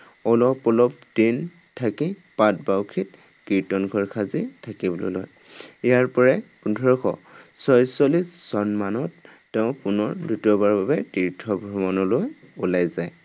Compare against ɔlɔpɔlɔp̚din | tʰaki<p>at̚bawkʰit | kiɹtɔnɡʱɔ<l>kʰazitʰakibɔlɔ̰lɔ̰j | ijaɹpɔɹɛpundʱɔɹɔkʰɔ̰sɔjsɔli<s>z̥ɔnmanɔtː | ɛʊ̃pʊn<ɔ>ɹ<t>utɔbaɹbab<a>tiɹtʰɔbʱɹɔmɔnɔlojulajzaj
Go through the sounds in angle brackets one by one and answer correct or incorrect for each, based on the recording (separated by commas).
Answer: correct, incorrect, correct, correct, incorrect, incorrect